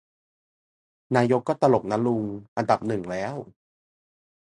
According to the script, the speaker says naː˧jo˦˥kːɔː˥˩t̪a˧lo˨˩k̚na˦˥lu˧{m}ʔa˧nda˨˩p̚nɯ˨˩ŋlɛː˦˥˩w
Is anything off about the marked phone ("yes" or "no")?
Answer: yes